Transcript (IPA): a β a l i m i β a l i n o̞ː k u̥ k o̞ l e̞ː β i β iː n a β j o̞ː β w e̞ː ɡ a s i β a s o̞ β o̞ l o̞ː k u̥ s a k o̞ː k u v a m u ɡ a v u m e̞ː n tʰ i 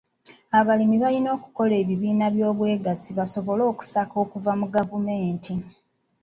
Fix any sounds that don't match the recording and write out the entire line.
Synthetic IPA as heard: a β a l i m i β a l i n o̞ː k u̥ k o̞ l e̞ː β i β iː n a β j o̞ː β w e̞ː ɡ a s i β a s o̞ β o̞ l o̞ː k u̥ s a k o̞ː k u v a m u ɡ a v u m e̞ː n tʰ i